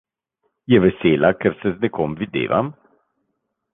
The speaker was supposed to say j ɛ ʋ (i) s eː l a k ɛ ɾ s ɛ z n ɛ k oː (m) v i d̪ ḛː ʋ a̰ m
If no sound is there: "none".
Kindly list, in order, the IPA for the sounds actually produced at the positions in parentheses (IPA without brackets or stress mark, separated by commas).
ɛ, m